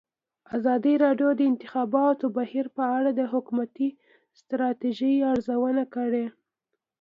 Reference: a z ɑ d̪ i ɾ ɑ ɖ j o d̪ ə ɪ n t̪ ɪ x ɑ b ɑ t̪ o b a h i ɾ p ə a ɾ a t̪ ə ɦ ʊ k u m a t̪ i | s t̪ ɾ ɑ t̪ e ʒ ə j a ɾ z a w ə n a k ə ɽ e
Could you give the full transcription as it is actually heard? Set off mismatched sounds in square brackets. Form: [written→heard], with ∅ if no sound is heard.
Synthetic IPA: a z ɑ d̪ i ɾ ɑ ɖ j o d̪ ə ɪ n t̪ ɪ x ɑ b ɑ t̪ o b a h i ɾ p ə a [ɾ→ɽ] a [t̪→d̪] ə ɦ ʊ k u m a t̪ i | s t̪ ɾ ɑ t̪ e ʒ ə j a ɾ z a w ə n a k ə ɽ e